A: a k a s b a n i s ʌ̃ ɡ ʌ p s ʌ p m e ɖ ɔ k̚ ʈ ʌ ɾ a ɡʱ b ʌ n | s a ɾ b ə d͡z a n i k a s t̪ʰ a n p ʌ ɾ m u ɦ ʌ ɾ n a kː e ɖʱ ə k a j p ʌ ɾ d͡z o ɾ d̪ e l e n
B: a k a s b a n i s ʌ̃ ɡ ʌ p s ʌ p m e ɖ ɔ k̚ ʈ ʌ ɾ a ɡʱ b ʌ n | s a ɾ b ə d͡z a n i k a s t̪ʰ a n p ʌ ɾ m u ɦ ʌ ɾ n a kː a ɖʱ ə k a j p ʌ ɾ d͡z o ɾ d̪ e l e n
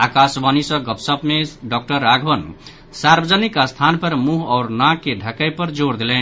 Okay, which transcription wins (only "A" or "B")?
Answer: A